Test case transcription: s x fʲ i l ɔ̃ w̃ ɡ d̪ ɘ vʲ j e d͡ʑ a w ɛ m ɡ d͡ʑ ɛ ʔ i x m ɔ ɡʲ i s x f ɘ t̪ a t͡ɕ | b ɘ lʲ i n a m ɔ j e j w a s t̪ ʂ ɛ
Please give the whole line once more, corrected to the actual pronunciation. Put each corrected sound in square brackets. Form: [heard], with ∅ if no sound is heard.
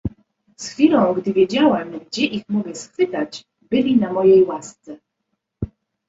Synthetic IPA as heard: s x fʲ i l ɔ̃ w̃ ɡ d̪ ɘ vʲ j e d͡ʑ a w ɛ m ɡ d͡ʑ ɛ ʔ i x m ɔ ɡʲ [ɛ] s x f ɘ t̪ a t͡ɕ | b ɘ lʲ i n a m ɔ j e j w a s t̪ [s] ɛ